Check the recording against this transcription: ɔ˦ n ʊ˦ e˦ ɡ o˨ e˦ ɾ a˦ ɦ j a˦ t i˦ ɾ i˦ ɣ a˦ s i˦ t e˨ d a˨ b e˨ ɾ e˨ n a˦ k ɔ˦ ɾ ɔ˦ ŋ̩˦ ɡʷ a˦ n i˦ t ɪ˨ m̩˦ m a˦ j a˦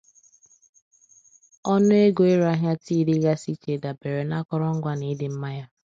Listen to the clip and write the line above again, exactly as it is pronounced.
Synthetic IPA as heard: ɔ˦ n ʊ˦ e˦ ɡ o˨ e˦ ɾ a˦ ɦ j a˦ t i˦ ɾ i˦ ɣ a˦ s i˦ t͡ʃ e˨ d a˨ b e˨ ɾ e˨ n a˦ k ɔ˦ ɾ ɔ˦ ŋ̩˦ ɡʷ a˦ n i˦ d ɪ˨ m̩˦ m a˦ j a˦